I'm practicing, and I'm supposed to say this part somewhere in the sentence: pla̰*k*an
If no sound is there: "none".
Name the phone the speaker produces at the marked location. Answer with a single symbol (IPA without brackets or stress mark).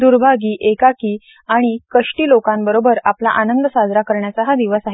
ʔ